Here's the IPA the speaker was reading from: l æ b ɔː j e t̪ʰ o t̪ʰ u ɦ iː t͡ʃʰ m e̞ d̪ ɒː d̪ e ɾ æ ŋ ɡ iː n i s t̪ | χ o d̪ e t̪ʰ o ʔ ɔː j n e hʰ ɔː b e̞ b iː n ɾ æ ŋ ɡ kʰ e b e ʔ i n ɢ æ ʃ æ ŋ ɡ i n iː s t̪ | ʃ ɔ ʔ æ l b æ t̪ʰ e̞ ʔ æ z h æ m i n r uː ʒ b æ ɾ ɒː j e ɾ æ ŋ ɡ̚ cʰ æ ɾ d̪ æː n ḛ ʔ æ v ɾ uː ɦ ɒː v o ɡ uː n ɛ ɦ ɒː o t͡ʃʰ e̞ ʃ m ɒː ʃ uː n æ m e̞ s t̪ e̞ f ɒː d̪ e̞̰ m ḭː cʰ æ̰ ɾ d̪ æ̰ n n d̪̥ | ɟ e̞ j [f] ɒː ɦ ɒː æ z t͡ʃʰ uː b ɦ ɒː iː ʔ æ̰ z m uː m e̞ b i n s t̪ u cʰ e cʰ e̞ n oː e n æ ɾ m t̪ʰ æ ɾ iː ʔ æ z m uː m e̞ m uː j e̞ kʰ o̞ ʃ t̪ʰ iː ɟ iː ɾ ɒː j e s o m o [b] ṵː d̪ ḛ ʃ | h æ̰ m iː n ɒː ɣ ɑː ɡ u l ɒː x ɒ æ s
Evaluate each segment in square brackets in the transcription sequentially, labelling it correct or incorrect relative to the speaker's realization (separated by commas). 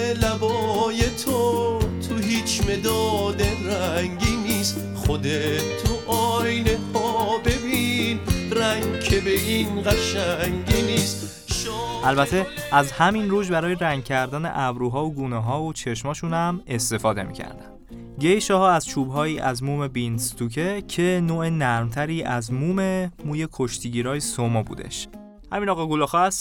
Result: incorrect, correct